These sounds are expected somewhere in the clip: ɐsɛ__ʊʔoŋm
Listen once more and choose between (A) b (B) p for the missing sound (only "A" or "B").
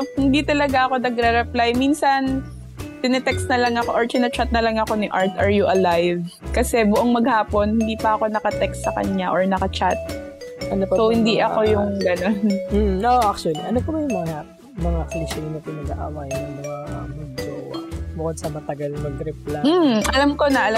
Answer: A